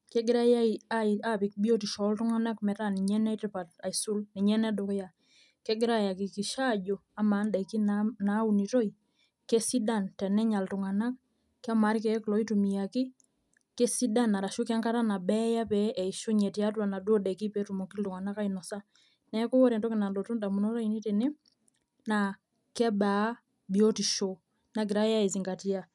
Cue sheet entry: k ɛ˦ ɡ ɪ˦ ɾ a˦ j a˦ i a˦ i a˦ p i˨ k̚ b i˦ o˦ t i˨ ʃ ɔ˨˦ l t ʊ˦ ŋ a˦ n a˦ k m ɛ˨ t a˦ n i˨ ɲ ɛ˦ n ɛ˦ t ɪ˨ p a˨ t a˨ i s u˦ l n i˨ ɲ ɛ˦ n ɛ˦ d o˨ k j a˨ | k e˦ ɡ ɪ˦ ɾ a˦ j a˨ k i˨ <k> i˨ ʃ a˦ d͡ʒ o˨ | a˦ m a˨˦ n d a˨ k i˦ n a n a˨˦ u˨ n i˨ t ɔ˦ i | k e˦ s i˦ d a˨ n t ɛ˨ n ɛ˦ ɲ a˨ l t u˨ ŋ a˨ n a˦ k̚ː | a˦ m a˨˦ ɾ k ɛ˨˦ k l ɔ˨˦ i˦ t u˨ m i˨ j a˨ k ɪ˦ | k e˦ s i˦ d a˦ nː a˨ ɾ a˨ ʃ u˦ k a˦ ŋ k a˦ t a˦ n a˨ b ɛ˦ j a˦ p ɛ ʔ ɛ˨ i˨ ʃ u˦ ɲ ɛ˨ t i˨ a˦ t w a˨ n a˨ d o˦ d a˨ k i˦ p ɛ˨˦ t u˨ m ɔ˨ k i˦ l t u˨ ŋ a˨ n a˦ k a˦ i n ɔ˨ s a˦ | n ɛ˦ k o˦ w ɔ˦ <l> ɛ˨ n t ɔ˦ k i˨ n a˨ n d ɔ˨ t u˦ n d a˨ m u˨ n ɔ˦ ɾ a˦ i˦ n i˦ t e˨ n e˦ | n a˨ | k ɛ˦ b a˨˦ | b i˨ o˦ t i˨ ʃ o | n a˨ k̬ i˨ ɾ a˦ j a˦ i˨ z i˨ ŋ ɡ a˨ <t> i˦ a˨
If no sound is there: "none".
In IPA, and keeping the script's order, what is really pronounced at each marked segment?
k, ɾ, t

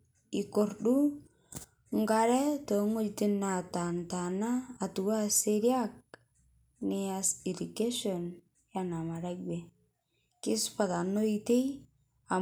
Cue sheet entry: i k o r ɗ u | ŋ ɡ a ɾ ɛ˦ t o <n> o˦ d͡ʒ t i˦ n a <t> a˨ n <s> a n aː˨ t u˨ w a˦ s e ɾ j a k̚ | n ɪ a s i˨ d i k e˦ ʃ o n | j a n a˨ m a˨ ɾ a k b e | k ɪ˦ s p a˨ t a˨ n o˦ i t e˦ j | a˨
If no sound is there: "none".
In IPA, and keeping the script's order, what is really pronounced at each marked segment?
ŋ, t, t

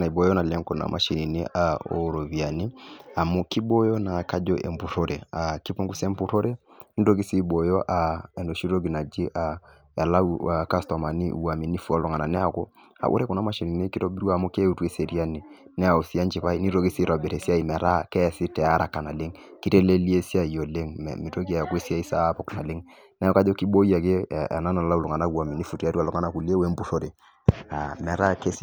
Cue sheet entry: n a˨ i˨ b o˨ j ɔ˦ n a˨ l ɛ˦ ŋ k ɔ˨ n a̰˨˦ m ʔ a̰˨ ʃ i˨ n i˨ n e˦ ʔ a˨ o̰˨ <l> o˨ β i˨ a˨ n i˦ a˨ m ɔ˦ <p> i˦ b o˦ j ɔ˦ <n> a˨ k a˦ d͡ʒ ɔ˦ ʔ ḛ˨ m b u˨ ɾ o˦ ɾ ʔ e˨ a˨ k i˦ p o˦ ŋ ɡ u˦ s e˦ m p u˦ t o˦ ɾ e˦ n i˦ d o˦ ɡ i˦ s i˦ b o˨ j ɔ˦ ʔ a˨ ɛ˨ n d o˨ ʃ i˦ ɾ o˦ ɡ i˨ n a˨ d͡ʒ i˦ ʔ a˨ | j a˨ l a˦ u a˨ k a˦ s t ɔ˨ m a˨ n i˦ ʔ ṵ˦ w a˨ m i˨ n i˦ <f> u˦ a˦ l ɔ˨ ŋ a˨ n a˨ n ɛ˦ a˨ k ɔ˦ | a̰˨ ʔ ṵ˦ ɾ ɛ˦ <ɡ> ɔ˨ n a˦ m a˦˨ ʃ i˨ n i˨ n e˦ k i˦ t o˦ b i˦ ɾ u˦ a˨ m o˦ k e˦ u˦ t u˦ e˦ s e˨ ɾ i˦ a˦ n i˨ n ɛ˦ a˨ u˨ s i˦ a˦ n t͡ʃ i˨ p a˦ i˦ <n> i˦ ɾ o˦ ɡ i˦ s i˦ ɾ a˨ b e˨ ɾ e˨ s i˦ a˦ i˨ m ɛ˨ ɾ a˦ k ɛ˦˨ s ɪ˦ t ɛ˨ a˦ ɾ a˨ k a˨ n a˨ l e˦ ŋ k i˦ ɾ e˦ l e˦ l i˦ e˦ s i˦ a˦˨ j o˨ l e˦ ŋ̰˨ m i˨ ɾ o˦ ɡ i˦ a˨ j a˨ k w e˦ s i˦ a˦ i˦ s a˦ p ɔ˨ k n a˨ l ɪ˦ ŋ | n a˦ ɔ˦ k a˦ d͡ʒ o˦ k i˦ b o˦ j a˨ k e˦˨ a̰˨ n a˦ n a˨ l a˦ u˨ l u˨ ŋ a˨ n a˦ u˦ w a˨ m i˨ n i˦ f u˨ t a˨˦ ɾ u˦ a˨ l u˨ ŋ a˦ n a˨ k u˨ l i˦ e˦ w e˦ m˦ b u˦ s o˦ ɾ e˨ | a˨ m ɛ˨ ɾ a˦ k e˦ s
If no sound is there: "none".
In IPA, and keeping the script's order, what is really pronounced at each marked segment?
ɾ, k, n, f, k, n

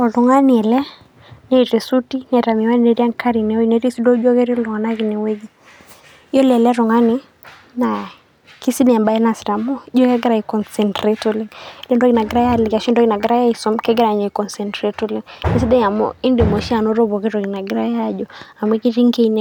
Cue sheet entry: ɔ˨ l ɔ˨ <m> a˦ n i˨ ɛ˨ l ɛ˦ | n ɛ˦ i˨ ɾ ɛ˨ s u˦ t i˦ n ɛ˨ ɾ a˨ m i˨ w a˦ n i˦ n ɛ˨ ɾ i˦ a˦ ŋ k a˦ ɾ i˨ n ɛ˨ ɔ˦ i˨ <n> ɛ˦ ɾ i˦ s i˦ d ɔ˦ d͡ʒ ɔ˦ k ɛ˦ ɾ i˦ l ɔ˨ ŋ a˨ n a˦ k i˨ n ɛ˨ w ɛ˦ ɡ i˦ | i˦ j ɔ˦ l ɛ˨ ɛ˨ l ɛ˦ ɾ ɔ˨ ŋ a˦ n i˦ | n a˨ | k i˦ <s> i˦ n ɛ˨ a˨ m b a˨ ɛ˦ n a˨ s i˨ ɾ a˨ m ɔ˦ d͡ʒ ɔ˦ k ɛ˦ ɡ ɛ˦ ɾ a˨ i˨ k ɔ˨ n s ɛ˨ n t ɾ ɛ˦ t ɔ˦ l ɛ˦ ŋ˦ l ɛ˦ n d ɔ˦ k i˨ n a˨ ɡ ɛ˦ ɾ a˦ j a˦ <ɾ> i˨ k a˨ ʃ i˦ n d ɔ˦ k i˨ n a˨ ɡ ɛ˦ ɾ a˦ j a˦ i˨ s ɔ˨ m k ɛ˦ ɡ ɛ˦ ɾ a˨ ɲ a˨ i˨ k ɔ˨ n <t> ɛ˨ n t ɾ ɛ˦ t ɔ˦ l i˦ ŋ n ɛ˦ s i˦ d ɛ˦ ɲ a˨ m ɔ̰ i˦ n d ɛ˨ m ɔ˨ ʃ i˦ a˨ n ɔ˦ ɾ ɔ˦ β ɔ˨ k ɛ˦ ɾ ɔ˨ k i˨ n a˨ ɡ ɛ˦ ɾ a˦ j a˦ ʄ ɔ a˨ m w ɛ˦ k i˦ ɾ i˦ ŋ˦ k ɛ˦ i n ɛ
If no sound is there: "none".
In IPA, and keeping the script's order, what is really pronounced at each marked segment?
ŋ, n, s, l, s

